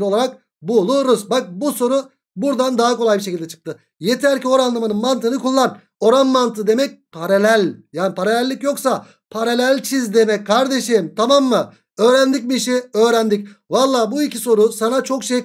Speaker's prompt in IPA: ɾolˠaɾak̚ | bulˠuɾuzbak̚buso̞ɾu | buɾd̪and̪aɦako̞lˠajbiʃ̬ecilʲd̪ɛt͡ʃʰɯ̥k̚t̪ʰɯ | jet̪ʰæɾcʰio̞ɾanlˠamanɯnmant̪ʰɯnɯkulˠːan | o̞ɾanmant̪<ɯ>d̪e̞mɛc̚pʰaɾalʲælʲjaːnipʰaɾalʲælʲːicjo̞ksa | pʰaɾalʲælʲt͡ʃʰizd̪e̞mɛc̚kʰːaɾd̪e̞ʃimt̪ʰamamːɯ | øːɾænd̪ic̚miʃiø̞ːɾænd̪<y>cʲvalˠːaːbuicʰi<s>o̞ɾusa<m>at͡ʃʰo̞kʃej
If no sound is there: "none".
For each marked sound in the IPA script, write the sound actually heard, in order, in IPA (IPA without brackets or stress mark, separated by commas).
ɯ, i, s, n